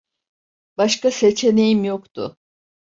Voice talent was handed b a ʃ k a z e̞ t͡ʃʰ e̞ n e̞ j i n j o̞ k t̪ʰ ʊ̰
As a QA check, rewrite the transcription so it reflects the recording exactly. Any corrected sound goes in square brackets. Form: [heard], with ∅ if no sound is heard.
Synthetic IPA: b a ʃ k a [s] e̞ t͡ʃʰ e̞ n e̞ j i [m] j o̞ k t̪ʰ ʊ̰